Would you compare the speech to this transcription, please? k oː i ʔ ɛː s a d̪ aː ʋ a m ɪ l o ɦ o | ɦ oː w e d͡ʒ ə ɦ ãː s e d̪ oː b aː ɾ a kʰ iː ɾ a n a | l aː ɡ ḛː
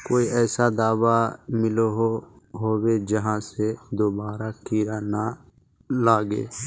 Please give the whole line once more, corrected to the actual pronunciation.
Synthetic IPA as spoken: k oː i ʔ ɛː s a d̪ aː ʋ a m ɪ l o ɦ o | ɦ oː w e d͡ʒ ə ɦ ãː s e d̪ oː b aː ɾ a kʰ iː ɾ a n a | l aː ɡ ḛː